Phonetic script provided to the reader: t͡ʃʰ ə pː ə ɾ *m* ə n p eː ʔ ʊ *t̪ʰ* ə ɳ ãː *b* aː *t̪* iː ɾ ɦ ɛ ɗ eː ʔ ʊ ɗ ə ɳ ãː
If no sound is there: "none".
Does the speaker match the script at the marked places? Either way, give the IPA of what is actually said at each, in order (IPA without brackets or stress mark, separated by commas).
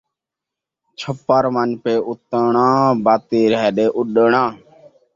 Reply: m, t̪, b, t̪